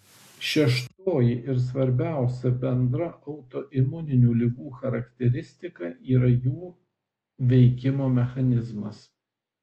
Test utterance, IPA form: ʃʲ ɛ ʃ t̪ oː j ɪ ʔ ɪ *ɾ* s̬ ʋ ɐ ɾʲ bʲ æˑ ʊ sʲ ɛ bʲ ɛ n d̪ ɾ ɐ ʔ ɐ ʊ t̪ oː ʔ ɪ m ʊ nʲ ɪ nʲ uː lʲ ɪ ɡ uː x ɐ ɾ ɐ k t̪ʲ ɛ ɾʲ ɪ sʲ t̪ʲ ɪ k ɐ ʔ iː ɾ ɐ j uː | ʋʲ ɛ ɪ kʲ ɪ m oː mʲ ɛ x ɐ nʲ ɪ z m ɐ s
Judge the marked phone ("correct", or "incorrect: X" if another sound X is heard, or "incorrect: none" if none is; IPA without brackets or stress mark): correct